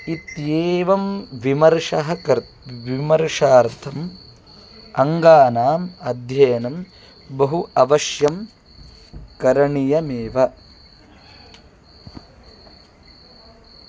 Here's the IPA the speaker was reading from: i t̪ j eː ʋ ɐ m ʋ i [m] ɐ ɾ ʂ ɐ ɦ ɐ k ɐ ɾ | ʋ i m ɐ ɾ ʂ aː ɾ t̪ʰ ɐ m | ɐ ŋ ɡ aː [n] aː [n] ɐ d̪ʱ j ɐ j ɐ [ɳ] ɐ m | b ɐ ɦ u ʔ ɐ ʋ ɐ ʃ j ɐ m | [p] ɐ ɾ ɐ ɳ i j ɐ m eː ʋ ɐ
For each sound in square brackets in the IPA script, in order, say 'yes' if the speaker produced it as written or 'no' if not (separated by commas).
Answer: yes, yes, no, no, no